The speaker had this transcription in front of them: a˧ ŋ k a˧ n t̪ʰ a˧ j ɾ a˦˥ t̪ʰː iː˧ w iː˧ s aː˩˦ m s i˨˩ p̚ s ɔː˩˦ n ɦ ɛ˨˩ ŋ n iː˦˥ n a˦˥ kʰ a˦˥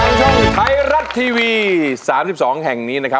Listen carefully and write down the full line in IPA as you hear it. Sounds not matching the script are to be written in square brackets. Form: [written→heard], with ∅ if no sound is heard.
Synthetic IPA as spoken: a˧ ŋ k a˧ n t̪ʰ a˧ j ɾ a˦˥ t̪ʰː iː˧ w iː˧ s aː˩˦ m s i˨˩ p̚ s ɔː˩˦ [n→ŋ] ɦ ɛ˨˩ ŋ n iː˦˥ n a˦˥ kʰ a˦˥